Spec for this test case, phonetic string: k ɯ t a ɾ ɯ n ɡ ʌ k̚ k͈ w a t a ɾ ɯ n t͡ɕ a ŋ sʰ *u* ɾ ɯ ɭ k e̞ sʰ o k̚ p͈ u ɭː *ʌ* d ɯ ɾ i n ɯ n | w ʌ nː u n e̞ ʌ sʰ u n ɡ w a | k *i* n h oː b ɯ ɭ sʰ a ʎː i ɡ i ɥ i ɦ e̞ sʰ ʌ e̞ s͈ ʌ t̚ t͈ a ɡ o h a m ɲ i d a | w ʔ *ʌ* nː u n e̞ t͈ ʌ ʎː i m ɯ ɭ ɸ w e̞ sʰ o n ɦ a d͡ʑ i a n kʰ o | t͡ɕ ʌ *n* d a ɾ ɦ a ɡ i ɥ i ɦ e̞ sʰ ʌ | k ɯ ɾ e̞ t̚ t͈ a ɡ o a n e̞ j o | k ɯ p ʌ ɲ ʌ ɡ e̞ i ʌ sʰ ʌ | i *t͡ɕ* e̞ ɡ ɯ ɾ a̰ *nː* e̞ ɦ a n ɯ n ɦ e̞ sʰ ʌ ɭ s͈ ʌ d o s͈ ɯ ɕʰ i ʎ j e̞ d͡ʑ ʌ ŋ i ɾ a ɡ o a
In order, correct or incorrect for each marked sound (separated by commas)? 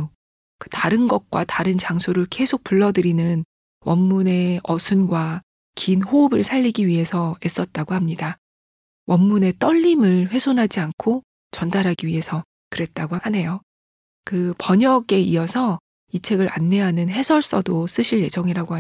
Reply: incorrect, correct, correct, correct, correct, incorrect, correct